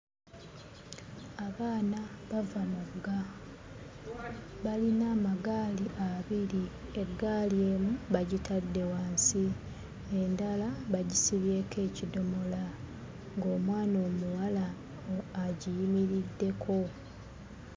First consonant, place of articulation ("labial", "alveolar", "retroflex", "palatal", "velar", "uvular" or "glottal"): labial